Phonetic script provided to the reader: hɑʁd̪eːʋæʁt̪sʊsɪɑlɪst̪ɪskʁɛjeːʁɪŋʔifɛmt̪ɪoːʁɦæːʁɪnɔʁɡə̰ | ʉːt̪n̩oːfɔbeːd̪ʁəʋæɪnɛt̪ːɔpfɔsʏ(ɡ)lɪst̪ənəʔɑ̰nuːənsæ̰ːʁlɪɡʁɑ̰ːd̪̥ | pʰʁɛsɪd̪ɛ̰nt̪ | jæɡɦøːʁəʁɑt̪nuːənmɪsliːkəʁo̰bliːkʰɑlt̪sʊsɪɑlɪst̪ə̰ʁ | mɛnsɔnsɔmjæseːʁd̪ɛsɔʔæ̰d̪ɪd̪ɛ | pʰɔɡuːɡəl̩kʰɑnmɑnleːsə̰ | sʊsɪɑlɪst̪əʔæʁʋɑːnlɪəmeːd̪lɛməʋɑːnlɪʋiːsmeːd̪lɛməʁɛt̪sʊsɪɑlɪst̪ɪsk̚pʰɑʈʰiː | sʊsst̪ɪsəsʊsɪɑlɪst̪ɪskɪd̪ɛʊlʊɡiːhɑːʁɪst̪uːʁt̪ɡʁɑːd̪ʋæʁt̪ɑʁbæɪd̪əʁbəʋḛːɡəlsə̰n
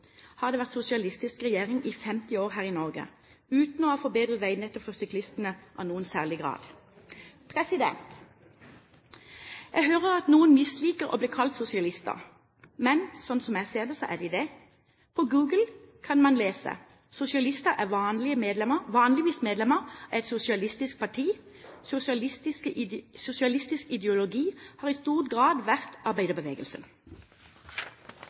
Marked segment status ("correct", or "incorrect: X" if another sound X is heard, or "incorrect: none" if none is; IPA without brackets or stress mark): incorrect: k